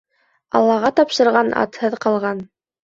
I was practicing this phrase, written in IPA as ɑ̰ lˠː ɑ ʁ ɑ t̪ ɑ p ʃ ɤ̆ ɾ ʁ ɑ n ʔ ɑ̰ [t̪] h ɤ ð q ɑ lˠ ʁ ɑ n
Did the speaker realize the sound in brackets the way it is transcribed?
yes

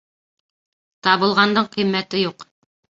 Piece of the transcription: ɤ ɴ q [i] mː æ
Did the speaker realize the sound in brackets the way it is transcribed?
yes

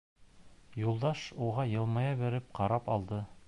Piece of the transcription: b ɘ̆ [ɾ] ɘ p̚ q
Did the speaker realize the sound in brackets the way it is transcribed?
yes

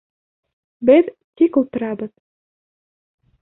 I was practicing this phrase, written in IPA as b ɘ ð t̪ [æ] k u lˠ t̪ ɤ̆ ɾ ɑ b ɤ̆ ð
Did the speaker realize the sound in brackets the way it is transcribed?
no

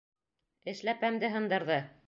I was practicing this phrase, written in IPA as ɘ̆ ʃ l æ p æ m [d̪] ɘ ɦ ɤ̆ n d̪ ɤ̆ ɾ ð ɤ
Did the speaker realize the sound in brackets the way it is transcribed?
yes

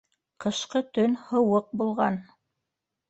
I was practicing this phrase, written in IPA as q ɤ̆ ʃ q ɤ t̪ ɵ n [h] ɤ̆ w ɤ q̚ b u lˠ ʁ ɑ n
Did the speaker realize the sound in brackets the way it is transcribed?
yes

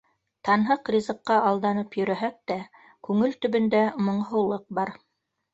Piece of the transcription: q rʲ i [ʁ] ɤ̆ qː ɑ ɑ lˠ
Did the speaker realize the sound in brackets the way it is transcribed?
no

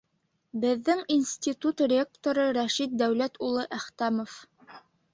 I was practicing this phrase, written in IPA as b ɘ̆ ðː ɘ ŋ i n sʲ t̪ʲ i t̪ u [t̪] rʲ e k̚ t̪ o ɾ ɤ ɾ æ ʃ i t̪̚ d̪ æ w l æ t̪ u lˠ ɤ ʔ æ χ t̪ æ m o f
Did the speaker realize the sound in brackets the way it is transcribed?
yes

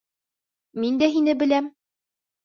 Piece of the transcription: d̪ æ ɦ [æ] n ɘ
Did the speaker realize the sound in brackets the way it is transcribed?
no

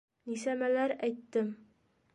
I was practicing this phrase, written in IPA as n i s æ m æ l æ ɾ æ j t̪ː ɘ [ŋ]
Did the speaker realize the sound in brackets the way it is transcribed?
no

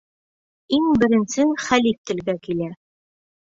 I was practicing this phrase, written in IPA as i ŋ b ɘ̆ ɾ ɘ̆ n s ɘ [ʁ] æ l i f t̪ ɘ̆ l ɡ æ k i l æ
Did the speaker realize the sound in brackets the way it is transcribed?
no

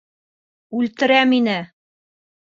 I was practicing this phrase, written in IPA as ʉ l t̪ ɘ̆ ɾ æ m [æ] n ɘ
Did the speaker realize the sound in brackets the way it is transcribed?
no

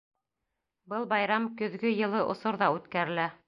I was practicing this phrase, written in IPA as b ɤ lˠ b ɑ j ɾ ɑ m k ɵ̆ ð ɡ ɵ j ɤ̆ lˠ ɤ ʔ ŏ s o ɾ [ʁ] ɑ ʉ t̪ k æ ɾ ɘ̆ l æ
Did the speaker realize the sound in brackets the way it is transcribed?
no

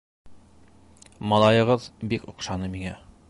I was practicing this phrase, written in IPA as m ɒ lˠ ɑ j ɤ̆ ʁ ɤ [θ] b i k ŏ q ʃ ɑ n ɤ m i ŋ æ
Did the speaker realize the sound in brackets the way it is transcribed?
no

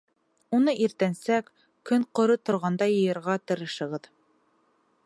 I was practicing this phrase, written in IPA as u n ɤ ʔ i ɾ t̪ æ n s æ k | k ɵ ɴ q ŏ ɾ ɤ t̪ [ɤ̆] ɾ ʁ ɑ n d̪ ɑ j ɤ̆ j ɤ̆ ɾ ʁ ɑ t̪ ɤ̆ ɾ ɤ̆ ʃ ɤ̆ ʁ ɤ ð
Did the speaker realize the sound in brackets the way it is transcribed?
no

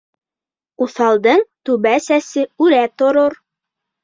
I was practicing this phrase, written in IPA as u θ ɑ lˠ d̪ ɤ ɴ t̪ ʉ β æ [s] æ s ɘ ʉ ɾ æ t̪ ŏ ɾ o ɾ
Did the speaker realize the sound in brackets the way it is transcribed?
yes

